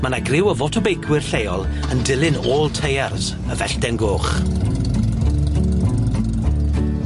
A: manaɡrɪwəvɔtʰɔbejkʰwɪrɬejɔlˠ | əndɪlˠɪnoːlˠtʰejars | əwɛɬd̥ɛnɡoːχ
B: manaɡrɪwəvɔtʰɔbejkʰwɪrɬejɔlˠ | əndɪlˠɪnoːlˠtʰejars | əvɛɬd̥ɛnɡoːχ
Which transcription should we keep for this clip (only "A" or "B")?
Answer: B